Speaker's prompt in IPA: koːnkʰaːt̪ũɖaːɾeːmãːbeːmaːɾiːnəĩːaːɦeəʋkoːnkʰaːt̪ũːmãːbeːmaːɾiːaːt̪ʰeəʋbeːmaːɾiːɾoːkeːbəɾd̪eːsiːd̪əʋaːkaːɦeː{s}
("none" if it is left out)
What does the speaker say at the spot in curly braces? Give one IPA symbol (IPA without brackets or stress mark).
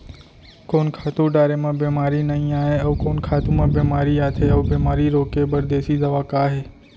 none